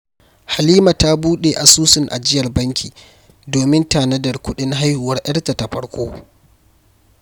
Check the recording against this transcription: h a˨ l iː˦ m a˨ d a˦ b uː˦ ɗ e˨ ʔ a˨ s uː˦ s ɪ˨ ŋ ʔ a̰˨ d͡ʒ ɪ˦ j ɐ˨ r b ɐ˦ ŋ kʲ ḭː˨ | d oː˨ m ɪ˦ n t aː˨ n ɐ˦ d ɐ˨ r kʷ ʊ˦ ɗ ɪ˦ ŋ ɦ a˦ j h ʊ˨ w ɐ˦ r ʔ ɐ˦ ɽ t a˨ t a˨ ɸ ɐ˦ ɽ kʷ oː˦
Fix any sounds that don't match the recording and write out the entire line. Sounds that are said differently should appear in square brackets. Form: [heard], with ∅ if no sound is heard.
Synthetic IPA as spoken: h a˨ l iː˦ m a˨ [t] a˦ b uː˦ ɗ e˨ ʔ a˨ s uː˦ s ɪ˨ ŋ ʔ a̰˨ d͡ʒ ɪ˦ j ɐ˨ r b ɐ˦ ŋ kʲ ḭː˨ | d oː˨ m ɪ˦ n t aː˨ n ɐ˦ d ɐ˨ r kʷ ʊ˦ ɗ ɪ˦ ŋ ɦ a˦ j h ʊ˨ w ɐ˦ r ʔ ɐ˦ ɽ t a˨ t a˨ ɸ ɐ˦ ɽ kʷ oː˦